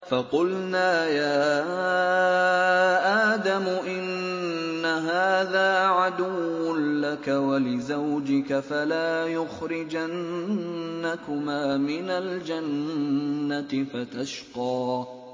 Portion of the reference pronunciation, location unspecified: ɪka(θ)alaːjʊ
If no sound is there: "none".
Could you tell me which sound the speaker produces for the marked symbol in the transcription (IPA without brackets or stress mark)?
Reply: f